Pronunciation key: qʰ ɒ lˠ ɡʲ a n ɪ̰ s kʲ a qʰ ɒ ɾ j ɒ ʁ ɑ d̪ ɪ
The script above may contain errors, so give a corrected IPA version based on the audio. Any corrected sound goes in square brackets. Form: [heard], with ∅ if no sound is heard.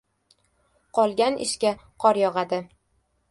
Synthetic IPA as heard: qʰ ɒ lˠ ɡʲ a n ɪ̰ [ʃ] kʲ a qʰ ɒ ɾ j ɒ ʁ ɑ d̪ ɪ